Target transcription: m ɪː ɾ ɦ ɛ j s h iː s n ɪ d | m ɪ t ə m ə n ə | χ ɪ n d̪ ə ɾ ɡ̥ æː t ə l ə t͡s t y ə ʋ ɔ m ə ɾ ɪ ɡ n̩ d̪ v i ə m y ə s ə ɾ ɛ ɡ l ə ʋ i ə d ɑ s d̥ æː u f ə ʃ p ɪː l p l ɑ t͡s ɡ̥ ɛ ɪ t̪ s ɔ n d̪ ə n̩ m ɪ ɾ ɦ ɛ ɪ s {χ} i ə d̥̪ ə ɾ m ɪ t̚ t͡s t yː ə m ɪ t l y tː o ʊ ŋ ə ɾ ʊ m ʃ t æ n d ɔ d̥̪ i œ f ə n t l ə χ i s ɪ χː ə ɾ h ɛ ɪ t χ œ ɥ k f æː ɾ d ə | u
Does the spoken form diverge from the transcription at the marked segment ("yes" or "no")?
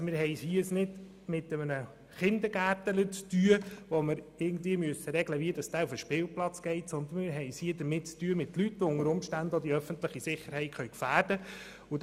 yes